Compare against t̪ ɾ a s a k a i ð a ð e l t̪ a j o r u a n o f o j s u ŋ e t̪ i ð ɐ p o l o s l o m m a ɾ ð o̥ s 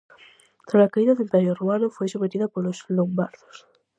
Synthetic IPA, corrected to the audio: t̪ ɾ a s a k a i ð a ð e l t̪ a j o r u a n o f o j s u m e t̪ i ð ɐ p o l o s l o m b a ɾ ð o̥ s